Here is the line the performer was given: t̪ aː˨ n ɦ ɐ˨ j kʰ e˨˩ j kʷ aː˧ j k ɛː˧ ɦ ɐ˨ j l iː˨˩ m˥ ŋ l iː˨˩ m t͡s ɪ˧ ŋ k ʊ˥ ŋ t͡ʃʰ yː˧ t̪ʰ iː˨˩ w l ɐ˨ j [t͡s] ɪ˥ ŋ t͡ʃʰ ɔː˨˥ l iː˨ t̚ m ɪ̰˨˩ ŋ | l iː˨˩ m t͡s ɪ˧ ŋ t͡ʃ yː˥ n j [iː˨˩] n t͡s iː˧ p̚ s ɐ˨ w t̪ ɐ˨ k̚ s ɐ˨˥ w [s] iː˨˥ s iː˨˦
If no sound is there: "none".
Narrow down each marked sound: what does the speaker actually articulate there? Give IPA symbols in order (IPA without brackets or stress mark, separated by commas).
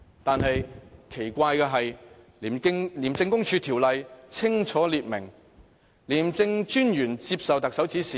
t͡sʰ, yː˨˩, t͡s